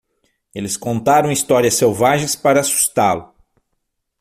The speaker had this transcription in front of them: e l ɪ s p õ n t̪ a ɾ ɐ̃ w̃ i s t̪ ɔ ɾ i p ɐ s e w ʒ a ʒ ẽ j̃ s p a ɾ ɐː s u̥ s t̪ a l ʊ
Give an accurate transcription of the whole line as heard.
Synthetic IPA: e l ɪ s k õ n t̪ a ɾ ɐ̃ w̃ i s t̪ ɔ ɾ i ɐ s e w v a ʒ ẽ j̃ s p a ɾ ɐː s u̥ s t̪ a l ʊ